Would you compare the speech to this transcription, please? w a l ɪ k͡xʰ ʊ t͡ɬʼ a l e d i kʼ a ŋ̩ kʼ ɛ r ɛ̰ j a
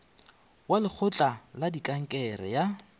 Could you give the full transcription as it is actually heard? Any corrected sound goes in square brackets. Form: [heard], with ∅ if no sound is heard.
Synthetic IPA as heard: w a l ɪ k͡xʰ ʊ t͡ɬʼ a l [a] d i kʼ a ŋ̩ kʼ ɛ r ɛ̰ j a